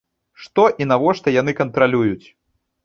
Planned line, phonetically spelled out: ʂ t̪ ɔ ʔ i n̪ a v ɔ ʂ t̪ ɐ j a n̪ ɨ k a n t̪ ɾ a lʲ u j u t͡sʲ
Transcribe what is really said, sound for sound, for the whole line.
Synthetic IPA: ʂ t̪ ɔ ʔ i n̪ a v ɔ ʂ t̪ ɐ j a n̪ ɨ k ɐ n t̪ ɾ a lʲ u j u t͡sʲ